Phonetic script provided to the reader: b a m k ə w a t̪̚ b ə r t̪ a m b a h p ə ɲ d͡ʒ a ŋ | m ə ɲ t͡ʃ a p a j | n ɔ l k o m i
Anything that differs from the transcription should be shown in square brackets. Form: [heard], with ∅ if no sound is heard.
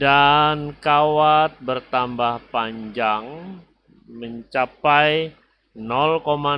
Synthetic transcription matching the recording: [d] a [n] k [a] w a t̪̚ b ə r t̪ a m b a h p [a] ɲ d͡ʒ a ŋ | m ə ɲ t͡ʃ a p a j | n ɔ l k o m [a]

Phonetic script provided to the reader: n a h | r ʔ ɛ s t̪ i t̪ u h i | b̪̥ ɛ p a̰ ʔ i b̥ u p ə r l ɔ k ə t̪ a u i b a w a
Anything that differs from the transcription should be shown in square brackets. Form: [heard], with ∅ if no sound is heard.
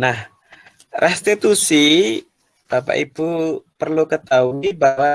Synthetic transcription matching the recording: n a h | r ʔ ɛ s t̪ i t̪ u [s] i | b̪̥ [a] p a̰ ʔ i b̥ u p ə r l [u] k ə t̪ a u i b a w a

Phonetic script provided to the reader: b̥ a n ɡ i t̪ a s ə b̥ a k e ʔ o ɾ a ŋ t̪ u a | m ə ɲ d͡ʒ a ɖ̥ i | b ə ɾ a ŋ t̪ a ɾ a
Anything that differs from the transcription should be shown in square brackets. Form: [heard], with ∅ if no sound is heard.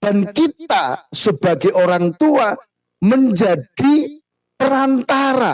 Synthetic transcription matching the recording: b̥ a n [k] i t̪ a s ə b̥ a [ɡ] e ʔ o ɾ a ŋ t̪ u a | m ə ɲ d͡ʒ a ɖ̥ i | [p] ə ɾ a [n] t̪ a ɾ a

